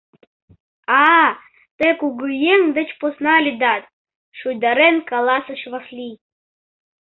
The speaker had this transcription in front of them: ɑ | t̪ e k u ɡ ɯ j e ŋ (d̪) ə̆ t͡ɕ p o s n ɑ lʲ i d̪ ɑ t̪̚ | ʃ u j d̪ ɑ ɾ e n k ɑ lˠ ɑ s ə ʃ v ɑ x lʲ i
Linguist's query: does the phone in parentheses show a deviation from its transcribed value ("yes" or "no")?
no